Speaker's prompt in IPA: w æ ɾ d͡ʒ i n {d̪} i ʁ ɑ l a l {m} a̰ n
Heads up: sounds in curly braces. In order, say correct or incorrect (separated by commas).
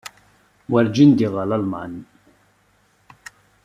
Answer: correct, correct